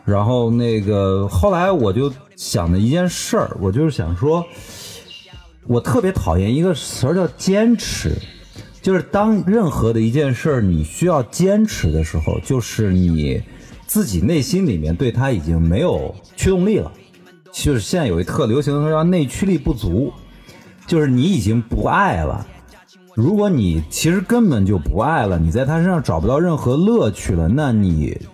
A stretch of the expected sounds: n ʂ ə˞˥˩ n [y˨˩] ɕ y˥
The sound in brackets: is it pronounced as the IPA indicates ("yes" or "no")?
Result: no